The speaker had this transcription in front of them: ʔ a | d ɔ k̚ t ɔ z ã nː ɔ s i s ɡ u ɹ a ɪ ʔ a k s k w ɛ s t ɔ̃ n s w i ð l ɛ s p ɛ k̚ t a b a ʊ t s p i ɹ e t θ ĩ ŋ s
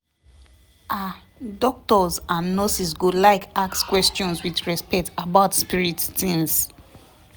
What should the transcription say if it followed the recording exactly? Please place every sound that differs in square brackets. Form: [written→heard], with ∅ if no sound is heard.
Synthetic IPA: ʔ a | d ɔ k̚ t ɔ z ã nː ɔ s i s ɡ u [ɹ→l] a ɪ [ʔ→k] a k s k w ɛ s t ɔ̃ n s w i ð [l→ɹ] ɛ s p ɛ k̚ t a b a ʊ t s p i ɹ [e→i] t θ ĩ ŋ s